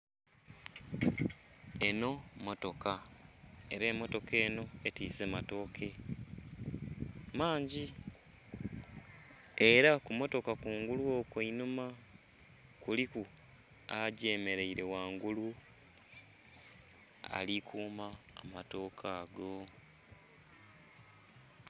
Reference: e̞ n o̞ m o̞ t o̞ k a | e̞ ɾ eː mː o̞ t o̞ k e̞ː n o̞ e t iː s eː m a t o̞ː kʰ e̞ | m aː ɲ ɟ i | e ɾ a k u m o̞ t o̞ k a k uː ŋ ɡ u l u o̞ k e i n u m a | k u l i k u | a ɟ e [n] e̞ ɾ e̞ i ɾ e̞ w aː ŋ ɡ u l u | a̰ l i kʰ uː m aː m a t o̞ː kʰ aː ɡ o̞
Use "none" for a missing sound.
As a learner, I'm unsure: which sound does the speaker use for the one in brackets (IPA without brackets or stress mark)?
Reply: m